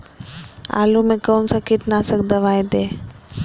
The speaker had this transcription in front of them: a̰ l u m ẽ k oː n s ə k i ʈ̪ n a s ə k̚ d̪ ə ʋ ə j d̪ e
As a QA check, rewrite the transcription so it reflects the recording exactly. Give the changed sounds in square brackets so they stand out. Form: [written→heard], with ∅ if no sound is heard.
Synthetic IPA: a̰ l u m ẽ k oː n s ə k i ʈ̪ n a s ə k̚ d̪ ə ʋ [ə→a] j d̪ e